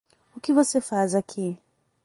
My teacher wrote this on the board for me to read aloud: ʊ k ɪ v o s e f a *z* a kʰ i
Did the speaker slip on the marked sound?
no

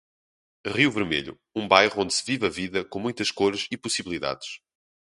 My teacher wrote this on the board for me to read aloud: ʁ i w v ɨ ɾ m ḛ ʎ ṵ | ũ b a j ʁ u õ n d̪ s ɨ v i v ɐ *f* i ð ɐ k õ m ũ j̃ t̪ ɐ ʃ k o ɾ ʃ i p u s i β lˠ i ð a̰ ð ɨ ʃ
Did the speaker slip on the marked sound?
yes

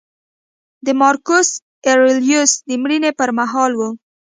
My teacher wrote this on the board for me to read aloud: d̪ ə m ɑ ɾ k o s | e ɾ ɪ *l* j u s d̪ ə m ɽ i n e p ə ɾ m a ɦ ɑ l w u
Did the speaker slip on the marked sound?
no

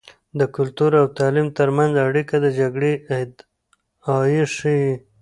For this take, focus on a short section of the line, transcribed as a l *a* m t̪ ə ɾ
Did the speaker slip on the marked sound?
yes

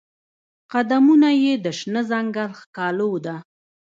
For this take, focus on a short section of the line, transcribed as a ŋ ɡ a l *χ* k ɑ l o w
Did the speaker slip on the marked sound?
yes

